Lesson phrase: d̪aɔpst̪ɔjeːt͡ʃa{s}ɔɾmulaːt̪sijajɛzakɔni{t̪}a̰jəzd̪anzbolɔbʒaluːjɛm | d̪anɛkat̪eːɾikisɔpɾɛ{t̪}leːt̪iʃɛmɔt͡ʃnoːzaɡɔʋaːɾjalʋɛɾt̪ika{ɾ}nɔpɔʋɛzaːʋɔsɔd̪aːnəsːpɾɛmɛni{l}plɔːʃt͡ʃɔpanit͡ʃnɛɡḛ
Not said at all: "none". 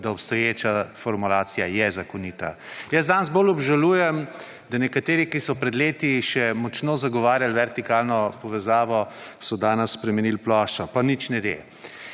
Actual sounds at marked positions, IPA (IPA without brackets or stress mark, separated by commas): f, t̪, d̪, l, l